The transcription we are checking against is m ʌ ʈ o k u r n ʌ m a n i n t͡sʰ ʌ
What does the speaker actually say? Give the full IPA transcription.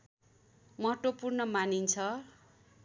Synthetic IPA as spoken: m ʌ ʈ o p u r n ʌ m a n i n t͡sʰ ʌ